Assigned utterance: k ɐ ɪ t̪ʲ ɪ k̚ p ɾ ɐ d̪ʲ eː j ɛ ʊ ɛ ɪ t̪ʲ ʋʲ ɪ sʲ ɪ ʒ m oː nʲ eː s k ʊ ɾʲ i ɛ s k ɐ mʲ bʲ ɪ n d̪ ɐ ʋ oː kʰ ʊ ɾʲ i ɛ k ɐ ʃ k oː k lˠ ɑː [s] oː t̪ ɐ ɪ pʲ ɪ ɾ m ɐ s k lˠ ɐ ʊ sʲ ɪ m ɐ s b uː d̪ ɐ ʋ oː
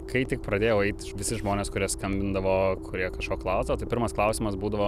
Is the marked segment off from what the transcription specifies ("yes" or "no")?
no